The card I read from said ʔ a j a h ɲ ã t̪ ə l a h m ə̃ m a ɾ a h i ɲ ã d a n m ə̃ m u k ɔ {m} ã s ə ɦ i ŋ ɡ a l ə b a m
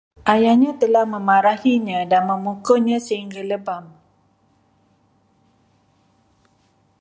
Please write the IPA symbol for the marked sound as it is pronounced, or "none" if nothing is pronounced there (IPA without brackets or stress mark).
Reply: ɲ